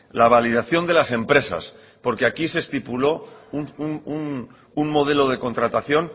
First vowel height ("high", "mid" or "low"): low